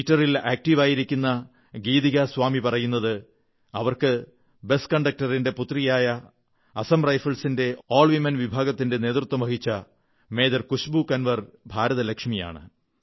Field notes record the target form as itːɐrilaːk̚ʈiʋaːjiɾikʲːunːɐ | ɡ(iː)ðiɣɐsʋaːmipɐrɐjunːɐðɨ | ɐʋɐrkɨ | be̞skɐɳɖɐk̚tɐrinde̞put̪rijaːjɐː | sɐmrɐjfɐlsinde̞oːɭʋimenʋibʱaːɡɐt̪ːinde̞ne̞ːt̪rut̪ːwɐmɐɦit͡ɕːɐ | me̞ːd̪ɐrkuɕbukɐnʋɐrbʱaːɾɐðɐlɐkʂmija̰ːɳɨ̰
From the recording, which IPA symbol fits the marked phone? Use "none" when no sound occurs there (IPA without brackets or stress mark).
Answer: iː